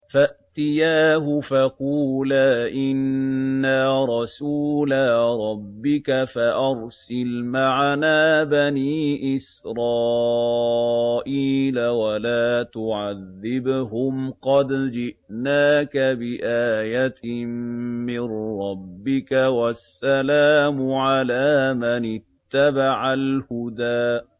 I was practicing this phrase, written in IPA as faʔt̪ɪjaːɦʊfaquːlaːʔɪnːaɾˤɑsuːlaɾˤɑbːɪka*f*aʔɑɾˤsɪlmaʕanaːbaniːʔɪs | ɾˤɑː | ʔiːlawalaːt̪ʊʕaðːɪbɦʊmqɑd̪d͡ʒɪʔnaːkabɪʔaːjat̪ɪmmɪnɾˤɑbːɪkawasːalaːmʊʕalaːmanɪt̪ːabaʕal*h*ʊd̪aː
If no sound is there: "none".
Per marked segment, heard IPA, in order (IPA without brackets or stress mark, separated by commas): f, h